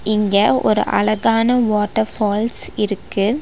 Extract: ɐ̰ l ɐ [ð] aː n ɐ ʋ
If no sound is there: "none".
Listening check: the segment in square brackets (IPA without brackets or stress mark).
ɣ